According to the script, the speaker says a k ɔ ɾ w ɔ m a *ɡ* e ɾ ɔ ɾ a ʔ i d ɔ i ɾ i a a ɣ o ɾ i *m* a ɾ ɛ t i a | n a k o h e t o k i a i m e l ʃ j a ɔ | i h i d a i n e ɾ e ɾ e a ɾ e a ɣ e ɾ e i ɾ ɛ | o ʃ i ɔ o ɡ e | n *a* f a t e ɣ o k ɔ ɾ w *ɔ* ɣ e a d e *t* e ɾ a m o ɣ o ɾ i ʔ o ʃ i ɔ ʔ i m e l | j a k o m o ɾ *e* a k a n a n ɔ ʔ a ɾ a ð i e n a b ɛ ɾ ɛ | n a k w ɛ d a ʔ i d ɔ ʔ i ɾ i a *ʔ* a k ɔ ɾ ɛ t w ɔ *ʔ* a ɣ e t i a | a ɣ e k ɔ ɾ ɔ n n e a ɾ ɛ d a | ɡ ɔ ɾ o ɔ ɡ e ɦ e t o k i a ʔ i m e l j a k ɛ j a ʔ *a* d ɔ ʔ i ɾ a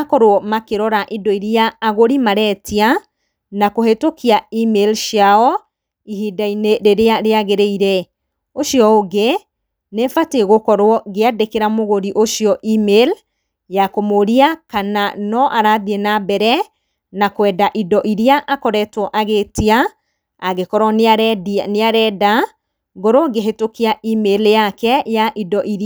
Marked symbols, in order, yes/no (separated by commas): no, yes, no, yes, no, no, yes, yes, no